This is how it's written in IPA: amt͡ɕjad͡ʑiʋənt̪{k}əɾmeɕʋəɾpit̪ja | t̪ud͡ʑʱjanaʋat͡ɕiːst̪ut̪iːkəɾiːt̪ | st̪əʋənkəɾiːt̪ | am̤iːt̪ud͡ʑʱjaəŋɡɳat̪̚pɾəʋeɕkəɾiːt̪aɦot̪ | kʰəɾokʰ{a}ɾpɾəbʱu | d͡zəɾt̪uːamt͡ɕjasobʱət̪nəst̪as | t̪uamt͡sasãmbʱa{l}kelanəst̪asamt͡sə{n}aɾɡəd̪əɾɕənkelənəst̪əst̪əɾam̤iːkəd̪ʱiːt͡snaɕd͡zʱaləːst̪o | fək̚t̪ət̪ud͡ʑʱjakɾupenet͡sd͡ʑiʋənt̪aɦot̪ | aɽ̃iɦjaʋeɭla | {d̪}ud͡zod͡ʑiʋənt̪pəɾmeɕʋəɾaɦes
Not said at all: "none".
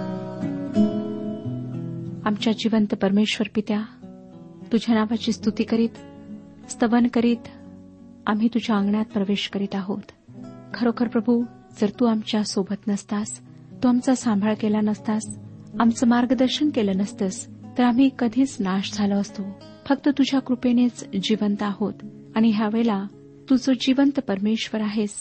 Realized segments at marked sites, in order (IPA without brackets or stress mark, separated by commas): p, ə, ɭ, m, t̪